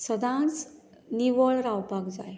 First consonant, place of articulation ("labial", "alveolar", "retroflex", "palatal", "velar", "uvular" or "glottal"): alveolar